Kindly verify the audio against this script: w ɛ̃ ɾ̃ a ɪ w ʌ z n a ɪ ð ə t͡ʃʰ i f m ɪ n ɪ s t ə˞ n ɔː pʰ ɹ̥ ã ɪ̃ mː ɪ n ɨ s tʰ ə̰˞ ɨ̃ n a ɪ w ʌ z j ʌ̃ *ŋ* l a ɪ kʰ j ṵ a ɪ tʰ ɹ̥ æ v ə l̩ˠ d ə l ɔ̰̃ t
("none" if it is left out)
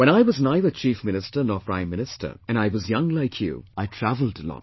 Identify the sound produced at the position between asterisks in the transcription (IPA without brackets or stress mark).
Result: ŋ